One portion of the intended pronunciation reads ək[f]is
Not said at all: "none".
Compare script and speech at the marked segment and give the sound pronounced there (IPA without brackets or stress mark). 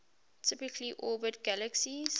s